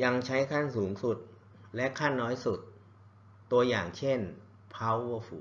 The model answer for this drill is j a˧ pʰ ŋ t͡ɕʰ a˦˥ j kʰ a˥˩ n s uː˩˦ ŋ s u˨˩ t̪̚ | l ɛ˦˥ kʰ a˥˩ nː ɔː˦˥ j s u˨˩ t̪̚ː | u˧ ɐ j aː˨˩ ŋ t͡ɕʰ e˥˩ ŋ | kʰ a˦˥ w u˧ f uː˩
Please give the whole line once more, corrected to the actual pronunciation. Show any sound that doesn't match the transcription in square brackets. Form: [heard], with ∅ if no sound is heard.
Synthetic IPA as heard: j a˧ [∅] ŋ t͡ɕʰ a˦˥ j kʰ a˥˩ n s uː˩˦ ŋ s u˨˩ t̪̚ | l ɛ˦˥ kʰ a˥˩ nː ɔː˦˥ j s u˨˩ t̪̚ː | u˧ ɐ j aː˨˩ ŋ t͡ɕʰ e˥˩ [n] | [pʰ] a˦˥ w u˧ f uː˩